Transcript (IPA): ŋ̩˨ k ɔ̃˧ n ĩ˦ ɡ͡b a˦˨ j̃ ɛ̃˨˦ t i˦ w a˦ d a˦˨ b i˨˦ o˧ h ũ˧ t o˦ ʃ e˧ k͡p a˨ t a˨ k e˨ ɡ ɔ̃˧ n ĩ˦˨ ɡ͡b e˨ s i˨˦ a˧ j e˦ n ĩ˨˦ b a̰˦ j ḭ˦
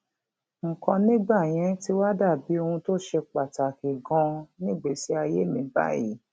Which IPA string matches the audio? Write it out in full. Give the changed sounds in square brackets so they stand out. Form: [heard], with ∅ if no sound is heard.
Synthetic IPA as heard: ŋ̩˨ k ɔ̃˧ n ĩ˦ ɡ͡b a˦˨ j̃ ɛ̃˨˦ t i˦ w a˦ d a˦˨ b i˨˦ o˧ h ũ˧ t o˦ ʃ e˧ k͡p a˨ t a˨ k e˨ ɡ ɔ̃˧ n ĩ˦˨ ɡ͡b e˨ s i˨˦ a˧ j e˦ [m] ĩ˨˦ b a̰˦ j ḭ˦